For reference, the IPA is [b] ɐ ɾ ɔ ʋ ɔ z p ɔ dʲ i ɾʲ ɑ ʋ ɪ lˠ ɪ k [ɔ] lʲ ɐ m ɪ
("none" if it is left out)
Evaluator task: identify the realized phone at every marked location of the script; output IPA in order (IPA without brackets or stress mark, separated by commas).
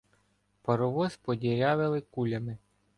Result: p, u